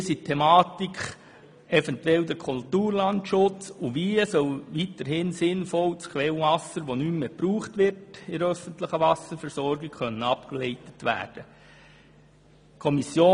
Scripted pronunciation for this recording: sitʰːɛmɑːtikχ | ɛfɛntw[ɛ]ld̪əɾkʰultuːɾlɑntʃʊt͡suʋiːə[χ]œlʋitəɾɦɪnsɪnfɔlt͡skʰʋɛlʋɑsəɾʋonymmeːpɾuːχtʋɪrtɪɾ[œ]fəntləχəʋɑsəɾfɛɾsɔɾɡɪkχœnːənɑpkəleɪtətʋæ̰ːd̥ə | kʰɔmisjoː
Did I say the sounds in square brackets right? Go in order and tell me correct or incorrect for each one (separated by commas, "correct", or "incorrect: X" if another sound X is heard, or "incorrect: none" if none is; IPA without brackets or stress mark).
correct, incorrect: s, correct